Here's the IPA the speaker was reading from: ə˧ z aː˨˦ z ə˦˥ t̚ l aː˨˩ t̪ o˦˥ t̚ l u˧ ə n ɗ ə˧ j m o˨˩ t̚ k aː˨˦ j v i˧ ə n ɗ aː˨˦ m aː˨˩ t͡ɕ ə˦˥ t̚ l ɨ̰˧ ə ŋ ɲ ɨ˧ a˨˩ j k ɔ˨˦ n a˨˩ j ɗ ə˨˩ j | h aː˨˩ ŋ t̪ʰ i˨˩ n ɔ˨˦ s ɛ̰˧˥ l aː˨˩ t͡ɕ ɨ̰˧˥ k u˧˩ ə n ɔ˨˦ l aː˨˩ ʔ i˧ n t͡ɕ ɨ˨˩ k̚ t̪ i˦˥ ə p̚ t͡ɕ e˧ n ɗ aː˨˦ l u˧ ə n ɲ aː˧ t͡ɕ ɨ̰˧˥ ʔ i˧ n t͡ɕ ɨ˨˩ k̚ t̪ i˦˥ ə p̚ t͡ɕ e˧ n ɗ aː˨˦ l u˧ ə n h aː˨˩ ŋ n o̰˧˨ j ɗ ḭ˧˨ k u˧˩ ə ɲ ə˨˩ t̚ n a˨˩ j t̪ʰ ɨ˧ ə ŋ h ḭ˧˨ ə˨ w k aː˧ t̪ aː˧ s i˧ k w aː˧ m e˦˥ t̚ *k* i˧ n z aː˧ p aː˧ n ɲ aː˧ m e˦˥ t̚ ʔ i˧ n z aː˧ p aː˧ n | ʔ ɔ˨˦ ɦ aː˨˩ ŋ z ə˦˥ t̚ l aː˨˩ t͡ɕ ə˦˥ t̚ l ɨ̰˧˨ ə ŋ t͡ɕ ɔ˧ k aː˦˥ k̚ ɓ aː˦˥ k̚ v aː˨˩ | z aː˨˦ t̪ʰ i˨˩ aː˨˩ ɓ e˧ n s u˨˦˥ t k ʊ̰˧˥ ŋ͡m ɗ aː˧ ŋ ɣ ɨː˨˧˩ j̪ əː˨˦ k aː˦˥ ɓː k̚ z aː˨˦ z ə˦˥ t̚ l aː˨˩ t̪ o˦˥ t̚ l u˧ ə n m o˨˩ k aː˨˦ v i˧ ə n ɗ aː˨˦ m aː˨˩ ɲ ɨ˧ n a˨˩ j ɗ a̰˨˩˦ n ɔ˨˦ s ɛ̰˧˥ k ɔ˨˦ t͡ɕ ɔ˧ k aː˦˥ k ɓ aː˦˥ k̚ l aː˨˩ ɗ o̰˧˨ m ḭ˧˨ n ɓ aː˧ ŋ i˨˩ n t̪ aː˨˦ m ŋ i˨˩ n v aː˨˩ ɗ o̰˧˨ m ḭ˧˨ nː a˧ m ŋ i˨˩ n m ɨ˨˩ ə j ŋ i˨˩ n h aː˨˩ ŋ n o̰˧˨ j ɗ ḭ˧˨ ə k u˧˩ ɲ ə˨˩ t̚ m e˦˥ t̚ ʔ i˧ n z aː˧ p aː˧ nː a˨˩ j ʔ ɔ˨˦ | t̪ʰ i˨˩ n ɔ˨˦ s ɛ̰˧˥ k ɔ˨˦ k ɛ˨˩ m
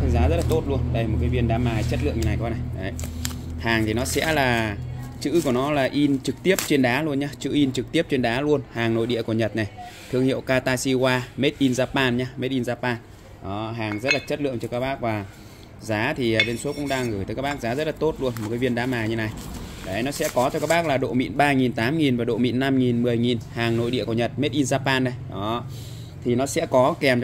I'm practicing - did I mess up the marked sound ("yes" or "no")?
yes